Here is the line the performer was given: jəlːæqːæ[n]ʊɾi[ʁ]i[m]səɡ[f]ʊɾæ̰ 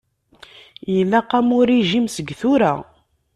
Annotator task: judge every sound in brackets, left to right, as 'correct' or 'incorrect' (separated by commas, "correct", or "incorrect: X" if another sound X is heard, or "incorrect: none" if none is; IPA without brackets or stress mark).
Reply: incorrect: m, incorrect: ʒ, correct, incorrect: θ